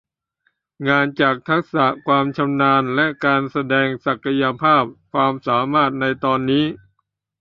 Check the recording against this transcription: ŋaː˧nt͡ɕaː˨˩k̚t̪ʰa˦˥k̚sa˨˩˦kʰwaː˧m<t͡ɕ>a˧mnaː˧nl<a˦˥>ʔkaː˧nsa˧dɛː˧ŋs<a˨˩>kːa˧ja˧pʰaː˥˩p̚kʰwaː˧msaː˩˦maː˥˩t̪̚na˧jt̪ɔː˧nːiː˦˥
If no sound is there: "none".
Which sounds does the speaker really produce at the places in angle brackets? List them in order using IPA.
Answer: t͡ɕʰ, ɛ˦˥, a˨˩

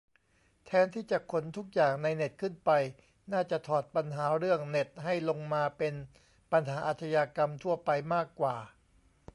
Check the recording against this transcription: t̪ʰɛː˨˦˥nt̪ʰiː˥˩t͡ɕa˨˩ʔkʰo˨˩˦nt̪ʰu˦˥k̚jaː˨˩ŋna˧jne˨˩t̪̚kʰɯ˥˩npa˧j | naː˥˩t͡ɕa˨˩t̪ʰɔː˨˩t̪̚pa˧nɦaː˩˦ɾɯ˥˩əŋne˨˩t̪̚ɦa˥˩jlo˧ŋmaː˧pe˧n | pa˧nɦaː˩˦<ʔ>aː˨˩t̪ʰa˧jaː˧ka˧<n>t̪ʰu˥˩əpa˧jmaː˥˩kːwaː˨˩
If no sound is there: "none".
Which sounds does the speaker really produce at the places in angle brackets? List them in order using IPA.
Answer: ʔ, m

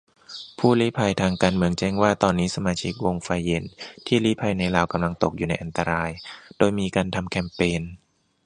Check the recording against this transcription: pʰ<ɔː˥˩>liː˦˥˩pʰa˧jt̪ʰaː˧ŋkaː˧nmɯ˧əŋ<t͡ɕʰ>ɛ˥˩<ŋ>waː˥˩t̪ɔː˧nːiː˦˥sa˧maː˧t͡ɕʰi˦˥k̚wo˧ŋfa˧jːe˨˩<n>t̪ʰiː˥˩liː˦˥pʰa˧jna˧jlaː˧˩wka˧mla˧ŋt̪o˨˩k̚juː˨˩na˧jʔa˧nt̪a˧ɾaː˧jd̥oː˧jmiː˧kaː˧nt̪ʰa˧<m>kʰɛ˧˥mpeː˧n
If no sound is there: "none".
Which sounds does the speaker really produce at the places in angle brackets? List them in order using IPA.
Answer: uː˥˩, t͡ɕ, ŋ, n, m

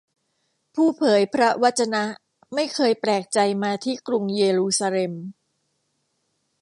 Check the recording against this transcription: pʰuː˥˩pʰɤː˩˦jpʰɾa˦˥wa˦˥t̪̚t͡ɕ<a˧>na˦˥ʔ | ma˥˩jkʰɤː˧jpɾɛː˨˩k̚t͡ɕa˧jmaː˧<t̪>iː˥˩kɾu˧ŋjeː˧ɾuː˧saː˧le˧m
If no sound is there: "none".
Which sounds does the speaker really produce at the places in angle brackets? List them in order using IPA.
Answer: a˧, t̪ʰ

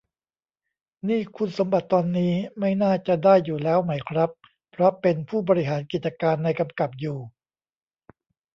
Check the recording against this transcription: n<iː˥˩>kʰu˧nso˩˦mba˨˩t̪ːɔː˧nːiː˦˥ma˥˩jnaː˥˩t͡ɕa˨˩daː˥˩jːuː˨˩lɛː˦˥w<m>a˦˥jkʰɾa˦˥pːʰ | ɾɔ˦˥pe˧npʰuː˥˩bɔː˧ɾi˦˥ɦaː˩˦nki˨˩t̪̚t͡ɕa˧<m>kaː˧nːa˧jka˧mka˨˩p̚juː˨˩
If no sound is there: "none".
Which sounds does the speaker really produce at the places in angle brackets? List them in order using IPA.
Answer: iː˥˩, m, none

